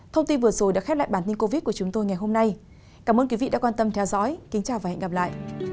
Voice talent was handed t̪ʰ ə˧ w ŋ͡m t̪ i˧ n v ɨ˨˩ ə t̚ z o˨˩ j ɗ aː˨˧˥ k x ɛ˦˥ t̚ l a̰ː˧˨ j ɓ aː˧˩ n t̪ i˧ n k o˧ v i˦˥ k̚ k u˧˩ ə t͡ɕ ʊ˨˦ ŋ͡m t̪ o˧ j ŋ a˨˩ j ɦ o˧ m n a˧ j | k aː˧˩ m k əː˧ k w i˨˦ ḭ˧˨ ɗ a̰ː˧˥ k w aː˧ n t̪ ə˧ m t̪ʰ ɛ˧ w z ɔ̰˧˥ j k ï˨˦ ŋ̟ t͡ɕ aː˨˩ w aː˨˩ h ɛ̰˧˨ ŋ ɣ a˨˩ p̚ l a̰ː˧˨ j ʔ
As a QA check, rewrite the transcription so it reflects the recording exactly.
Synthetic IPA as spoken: t̪ʰ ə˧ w ŋ͡m t̪ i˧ n v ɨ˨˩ ə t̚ z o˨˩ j ɗ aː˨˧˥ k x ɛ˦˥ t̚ l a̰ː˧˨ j ɓ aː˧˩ n t̪ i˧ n k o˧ v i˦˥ t̚ k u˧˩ ə t͡ɕ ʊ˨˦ ŋ͡m t̪ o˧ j ŋ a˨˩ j ɦ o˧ m n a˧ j | k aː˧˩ m ʔ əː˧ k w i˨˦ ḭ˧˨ ɗ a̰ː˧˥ k w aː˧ n t̪ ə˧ m t̪ʰ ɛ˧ w z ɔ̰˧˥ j k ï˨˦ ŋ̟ t͡ɕ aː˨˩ w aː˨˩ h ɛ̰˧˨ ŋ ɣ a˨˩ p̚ l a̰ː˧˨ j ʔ